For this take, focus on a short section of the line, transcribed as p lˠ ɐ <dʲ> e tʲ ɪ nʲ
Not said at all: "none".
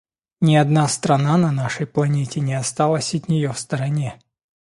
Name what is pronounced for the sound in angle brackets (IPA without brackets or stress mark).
nʲ